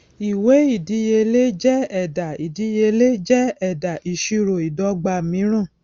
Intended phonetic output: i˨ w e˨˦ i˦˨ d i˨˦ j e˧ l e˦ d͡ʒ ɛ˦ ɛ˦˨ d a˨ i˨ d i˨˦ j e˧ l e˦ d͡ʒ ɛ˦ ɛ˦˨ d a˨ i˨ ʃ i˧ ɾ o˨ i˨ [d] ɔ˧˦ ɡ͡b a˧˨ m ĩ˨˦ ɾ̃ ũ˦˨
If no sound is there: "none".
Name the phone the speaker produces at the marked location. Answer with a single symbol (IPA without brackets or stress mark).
d